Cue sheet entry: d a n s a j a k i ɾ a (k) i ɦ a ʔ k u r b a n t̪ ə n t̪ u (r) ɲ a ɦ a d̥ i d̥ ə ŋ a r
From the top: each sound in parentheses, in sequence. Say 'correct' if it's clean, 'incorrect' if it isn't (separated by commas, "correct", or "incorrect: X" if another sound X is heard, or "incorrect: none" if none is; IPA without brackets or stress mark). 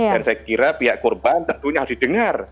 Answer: incorrect: p, incorrect: none